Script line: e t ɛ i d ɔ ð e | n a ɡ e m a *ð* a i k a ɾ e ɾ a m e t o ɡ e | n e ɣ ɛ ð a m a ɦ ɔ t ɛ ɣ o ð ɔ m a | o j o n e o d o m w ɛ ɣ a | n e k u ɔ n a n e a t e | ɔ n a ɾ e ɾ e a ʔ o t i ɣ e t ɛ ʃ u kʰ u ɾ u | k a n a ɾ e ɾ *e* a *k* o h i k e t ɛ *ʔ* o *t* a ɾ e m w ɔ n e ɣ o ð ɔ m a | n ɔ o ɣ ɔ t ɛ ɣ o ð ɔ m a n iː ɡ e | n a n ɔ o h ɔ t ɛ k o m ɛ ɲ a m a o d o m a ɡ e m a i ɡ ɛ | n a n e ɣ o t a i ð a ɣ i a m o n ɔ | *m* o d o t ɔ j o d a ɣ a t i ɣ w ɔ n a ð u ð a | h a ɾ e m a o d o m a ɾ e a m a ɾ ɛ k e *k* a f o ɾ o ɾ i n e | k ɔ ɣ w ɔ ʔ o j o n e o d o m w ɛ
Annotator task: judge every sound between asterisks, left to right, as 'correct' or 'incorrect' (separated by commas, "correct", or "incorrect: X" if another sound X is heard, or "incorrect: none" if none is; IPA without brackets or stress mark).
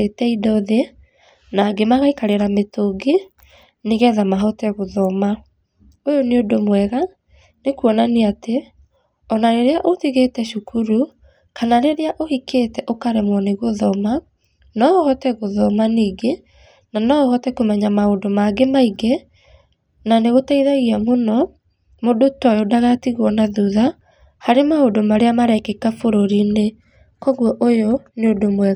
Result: incorrect: ɣ, correct, incorrect: ʔ, correct, incorrect: k, correct, correct